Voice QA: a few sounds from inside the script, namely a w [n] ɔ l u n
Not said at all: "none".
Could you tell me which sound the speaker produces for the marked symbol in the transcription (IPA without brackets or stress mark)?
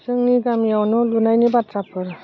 n